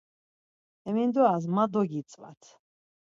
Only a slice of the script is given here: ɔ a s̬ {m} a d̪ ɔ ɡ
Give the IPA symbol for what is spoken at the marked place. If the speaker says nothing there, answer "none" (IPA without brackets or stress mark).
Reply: m